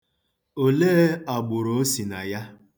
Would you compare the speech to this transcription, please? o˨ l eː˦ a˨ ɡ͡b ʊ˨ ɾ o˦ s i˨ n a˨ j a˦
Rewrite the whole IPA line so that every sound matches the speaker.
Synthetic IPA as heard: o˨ l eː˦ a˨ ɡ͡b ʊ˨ ɾ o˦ s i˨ n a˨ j a˦